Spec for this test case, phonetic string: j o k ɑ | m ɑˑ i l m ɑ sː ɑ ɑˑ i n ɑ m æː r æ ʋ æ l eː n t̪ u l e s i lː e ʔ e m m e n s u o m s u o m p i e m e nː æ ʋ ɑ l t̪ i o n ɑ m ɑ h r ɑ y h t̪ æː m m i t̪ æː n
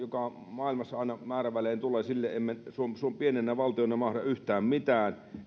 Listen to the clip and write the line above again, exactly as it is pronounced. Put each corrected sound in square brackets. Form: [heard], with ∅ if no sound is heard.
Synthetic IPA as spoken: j o k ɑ | m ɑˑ i l m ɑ sː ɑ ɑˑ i n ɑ m æː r æ ʋ æ l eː n t̪ u l e s i lː e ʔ e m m e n s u o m s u o m p i e [n] e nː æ ʋ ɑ l t̪ i o n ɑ m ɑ h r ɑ y h t̪ æː m m i t̪ æː n